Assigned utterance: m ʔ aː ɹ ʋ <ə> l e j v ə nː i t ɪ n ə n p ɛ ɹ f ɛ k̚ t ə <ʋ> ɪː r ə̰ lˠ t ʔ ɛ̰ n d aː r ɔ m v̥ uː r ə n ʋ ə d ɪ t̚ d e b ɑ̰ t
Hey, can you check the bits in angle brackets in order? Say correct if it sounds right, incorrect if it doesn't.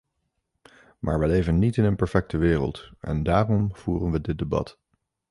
correct, correct

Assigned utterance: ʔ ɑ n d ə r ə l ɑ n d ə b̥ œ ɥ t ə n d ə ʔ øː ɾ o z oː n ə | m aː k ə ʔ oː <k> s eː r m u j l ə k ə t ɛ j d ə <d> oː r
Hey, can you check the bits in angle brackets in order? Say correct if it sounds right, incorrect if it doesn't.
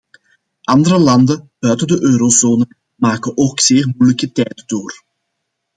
correct, correct

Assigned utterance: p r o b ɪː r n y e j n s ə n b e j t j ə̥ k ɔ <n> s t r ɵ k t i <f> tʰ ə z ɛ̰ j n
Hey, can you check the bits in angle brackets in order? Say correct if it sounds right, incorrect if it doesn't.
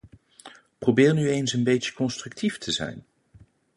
correct, correct

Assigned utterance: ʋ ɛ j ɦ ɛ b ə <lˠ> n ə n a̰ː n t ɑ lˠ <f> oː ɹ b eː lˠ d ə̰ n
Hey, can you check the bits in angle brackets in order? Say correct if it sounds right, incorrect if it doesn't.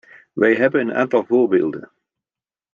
incorrect: none, incorrect: v

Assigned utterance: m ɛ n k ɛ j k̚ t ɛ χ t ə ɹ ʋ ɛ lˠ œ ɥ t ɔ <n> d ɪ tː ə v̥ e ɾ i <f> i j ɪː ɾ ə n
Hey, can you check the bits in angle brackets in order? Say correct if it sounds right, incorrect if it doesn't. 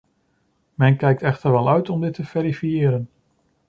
incorrect: m, correct

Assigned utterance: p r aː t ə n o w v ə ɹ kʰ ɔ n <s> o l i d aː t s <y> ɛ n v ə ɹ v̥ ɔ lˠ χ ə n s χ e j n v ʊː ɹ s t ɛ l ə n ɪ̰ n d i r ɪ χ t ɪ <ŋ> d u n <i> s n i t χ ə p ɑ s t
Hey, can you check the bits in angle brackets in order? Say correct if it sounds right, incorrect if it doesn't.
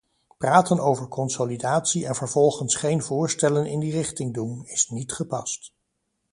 correct, incorrect: i, correct, incorrect: ɪ

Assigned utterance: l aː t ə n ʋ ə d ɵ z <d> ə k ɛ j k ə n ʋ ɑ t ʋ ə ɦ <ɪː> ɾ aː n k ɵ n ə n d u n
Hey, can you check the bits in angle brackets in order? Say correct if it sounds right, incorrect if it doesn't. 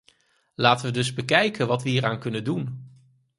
incorrect: b, incorrect: iː

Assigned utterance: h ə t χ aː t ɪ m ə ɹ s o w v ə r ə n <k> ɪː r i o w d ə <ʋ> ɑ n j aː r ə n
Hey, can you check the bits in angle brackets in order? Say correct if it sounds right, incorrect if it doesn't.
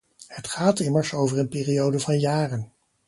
incorrect: p, incorrect: v

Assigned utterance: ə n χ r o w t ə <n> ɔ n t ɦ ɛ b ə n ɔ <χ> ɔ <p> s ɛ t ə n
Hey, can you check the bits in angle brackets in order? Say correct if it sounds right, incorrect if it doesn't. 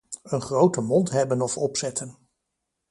incorrect: m, incorrect: f, correct

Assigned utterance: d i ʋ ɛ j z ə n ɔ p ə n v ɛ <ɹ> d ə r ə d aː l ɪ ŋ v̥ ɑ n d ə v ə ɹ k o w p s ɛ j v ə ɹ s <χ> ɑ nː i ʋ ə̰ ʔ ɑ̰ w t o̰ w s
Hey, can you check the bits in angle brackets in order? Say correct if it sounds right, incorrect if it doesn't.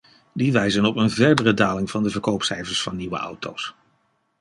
correct, incorrect: f

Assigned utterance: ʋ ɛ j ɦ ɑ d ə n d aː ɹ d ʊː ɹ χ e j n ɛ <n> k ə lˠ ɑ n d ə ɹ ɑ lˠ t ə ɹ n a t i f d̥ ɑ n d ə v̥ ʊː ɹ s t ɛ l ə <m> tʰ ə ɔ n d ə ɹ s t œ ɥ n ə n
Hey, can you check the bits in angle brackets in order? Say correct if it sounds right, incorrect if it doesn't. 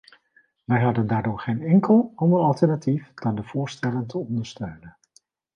incorrect: ŋ, incorrect: n

